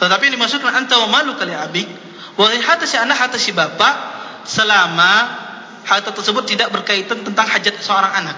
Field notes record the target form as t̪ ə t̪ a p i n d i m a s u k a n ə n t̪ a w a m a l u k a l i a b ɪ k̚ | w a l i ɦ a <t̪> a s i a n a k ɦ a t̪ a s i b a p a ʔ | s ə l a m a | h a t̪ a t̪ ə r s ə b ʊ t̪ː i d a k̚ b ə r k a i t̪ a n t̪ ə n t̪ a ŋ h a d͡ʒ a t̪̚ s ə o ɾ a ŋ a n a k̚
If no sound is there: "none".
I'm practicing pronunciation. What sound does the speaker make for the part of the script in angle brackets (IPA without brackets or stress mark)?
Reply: t̪